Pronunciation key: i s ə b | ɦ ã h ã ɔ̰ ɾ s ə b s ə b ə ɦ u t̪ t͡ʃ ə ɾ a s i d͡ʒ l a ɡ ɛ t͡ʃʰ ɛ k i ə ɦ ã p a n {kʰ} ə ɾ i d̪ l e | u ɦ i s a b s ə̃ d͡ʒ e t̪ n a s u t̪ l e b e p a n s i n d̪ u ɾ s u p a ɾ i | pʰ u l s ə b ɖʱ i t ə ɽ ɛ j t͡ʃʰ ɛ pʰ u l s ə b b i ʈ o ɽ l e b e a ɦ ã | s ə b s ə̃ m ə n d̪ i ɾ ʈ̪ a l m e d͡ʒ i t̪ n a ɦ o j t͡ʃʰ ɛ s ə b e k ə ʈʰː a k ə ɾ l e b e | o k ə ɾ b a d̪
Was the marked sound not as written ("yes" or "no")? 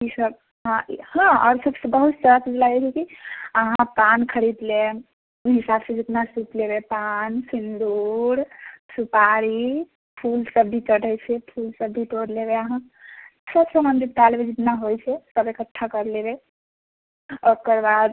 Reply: no